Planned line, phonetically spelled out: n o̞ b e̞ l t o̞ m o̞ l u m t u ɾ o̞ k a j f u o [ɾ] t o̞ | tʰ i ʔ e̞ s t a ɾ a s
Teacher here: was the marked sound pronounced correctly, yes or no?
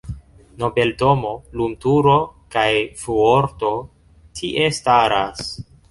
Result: yes